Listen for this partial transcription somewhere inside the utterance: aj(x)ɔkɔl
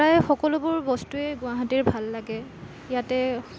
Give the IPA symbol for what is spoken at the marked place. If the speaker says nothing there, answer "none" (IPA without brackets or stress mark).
x